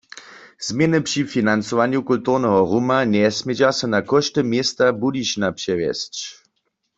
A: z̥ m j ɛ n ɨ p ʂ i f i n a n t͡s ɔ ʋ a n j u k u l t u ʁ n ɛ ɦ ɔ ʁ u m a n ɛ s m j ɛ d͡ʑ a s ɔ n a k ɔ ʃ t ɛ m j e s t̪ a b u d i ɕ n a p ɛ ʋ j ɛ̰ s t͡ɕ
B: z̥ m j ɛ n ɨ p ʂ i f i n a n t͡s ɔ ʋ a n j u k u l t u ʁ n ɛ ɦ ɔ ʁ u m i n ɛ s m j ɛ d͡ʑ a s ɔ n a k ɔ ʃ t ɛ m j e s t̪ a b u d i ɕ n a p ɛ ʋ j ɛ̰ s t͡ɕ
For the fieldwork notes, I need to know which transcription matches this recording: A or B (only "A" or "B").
A